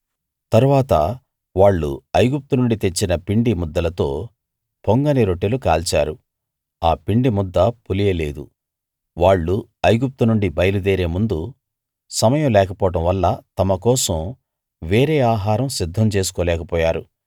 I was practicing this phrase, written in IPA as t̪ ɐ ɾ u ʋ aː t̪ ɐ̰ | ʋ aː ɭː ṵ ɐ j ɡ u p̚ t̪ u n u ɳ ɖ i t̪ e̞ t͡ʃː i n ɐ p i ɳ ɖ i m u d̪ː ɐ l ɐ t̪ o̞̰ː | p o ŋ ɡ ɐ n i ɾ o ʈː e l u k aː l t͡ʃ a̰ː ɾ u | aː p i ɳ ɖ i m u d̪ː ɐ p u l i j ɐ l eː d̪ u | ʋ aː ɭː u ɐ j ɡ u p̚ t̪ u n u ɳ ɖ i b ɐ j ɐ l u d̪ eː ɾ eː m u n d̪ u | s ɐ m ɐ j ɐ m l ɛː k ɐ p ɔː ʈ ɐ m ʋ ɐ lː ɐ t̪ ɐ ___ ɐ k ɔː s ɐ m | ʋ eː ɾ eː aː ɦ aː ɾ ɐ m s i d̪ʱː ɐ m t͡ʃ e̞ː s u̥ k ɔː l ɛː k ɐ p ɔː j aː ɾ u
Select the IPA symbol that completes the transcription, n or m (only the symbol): m